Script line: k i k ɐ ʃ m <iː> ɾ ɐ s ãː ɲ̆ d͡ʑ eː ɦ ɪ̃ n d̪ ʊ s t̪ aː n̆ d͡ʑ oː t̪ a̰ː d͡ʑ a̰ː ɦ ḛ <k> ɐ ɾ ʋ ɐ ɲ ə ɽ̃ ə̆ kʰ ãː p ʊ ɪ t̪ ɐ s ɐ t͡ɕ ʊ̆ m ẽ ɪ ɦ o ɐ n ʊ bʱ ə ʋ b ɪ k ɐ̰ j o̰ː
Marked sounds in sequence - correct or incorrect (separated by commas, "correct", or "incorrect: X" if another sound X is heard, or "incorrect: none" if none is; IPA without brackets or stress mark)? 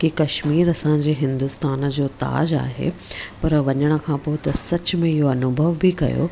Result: correct, incorrect: p